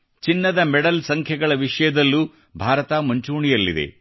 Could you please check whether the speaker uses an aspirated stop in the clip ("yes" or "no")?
yes